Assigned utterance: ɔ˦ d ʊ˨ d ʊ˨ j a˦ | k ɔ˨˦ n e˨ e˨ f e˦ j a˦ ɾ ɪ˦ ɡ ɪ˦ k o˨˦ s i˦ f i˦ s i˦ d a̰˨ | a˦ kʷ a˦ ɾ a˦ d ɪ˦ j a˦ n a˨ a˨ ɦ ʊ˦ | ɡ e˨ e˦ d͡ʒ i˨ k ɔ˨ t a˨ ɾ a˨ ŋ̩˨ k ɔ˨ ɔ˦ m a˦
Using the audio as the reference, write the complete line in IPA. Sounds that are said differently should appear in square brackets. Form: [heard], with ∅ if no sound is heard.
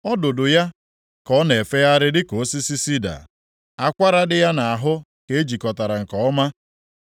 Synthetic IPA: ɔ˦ d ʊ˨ d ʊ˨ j a˦ | k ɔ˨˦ n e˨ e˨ f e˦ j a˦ ɾ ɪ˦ [d] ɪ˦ k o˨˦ s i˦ [s] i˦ s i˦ d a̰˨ | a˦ kʷ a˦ ɾ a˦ d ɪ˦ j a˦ n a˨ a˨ ɦ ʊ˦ | [k] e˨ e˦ d͡ʒ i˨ k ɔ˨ t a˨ ɾ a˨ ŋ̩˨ k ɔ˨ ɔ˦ m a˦

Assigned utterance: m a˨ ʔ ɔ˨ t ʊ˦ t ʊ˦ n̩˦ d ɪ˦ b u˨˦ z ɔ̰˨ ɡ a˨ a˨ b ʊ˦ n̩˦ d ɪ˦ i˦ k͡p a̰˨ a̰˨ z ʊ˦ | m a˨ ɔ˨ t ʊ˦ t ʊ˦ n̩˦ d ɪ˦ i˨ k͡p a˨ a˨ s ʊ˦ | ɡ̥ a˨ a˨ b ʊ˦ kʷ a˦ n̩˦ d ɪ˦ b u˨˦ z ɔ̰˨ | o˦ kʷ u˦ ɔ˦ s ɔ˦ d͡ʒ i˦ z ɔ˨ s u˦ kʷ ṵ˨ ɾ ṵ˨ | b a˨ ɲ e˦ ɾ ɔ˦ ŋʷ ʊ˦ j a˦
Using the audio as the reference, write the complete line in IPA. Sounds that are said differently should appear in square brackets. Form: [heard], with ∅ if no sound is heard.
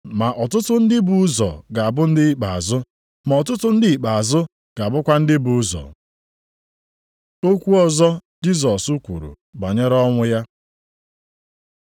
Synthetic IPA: m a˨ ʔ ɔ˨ t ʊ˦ t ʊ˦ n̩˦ d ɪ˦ b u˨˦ z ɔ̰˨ ɡ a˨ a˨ b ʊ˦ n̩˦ d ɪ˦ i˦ k͡p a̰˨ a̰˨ z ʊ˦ | m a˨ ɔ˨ t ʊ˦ t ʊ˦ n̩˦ d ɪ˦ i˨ k͡p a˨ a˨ [z] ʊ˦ | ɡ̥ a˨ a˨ b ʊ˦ kʷ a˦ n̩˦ d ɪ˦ b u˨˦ z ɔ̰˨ | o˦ kʷ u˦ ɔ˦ [z] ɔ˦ d͡ʒ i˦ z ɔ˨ s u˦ kʷ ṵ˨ ɾ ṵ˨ | b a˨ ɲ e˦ ɾ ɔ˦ ŋʷ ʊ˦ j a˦

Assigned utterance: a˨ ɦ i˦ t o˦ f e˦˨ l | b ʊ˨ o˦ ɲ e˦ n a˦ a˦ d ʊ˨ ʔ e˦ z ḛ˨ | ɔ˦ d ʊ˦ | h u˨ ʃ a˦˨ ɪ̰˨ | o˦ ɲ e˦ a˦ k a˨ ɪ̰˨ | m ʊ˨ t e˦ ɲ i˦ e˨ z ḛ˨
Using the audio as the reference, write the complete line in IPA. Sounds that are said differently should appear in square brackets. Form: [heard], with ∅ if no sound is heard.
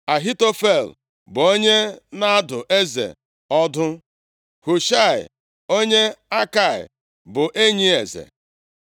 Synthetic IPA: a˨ ɦ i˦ t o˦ f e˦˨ l | b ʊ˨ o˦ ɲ e˦ n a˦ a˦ d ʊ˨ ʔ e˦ z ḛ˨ | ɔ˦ d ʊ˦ | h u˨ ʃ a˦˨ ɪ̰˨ | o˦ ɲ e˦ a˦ k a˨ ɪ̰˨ | [b] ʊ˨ [ʔ] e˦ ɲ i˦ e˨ z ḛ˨

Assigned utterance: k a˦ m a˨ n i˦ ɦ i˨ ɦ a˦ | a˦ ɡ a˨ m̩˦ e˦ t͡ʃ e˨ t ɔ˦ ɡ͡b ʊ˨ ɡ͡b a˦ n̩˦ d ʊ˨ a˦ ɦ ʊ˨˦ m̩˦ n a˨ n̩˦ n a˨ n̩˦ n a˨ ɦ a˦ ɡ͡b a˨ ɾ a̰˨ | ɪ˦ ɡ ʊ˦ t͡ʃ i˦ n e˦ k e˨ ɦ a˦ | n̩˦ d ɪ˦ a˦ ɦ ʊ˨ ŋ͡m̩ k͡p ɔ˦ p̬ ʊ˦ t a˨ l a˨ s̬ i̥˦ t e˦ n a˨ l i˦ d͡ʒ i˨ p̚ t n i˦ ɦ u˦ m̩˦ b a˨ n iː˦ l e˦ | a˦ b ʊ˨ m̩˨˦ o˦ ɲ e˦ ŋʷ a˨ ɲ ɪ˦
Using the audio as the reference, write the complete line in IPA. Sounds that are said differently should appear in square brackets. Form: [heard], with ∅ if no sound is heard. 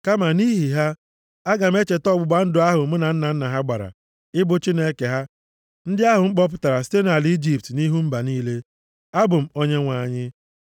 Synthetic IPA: k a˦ m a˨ n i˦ ɦ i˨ ɦ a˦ | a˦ ɡ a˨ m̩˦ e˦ t͡ʃ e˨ t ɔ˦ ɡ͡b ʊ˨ ɡ͡b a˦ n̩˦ d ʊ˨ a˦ ɦ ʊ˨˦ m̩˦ n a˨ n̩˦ n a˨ n̩˦ n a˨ ɦ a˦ ɡ͡b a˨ ɾ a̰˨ | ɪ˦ [b] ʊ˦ t͡ʃ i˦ n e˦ k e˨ ɦ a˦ | n̩˦ d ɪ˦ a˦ ɦ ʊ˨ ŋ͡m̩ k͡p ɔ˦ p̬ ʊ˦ t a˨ [ɾ] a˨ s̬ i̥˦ t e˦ n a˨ l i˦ d͡ʒ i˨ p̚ t n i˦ ɦ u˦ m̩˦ b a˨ n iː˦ l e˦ | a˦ b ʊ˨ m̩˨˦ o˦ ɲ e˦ ŋʷ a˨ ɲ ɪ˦

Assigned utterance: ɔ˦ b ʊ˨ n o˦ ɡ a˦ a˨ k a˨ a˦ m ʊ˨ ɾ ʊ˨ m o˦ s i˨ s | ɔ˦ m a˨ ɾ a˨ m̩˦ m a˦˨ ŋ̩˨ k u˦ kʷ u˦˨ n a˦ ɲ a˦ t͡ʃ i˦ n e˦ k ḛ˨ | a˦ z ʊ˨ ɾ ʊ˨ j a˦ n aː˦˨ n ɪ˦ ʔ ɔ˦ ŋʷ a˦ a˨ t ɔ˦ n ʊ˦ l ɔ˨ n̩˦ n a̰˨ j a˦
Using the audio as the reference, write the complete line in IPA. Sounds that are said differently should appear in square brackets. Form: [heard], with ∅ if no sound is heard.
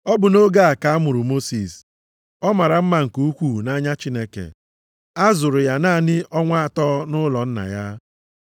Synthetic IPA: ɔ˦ b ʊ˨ n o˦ ɡ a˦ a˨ k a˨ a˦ m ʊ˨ ɾ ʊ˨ m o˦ s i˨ s | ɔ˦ m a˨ ɾ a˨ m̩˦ m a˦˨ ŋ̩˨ k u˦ kʷ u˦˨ n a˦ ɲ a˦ t͡ʃ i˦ n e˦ k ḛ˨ | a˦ z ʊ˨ ɾ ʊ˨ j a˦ n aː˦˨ n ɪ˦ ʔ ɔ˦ ŋʷ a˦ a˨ t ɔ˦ n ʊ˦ l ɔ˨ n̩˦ n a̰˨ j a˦

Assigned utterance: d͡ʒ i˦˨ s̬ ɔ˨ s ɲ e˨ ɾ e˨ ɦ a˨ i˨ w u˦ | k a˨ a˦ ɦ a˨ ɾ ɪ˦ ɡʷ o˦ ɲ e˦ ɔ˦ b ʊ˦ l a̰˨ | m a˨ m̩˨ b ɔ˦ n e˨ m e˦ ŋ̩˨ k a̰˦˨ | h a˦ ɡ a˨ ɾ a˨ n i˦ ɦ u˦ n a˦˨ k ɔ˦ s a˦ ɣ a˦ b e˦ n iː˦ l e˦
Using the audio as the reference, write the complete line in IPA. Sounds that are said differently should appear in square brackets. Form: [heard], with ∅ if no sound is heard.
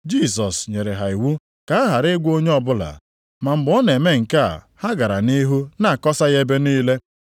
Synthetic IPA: d͡ʒ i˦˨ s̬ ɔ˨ s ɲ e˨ ɾ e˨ ɦ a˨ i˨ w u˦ | k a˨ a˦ ɦ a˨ ɾ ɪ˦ ɡʷ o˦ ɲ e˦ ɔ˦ b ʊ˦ l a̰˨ | m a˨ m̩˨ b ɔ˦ n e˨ m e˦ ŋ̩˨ k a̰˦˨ | h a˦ ɡ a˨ ɾ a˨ n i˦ ɦ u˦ n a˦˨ k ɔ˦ s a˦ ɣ [e˦] b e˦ n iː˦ l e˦

